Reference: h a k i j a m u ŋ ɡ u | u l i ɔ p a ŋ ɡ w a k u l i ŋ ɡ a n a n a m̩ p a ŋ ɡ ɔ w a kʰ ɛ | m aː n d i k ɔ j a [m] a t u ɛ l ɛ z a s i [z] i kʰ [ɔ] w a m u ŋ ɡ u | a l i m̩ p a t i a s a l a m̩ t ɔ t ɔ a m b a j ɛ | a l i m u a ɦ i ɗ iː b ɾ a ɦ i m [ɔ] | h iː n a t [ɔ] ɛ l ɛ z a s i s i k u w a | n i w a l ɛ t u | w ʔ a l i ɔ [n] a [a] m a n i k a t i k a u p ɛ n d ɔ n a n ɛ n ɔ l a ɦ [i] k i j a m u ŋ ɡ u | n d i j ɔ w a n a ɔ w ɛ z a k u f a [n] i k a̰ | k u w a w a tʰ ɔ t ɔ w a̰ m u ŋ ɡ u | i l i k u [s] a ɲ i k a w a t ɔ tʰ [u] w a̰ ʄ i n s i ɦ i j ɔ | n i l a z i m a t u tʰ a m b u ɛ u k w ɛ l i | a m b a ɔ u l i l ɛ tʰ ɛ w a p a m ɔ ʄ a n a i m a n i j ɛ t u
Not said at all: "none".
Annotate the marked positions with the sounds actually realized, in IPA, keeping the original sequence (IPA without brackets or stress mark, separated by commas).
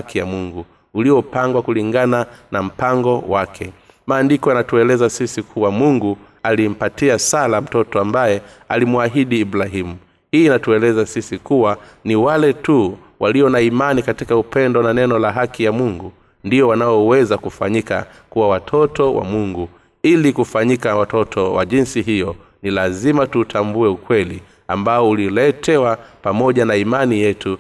n, s, u, u, u, n, i, a, ɲ, f, ɔ